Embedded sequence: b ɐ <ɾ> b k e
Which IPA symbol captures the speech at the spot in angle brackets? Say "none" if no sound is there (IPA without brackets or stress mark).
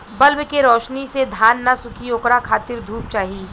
l